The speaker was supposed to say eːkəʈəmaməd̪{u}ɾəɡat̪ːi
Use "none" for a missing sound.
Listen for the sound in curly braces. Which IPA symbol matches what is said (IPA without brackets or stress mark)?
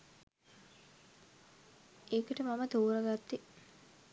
uː